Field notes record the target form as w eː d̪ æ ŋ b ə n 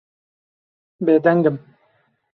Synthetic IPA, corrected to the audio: b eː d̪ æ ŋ ɡ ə m